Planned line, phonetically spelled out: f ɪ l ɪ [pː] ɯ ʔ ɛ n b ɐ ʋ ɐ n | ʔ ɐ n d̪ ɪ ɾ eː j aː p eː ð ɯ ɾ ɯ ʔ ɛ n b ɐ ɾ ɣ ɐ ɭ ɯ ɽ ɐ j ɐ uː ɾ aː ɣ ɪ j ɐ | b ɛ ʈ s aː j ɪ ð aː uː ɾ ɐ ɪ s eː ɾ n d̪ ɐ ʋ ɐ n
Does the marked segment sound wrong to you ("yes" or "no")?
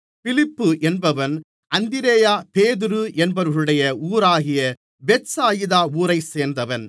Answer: no